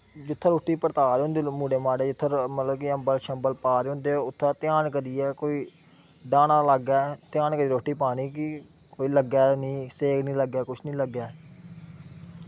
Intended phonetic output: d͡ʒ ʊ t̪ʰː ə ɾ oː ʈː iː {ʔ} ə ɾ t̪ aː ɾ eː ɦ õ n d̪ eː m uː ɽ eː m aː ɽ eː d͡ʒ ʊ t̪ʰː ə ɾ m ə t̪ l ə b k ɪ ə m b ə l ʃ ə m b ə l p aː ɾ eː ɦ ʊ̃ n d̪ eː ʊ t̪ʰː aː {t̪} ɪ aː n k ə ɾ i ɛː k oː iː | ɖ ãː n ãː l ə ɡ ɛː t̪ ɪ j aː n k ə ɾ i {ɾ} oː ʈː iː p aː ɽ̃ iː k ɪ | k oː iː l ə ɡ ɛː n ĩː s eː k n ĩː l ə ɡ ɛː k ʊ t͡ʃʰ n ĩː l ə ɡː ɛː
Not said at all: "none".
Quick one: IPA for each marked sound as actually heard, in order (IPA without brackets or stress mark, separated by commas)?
p, t̪, ɾ